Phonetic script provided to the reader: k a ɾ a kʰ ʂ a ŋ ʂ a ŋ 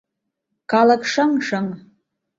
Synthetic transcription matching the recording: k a l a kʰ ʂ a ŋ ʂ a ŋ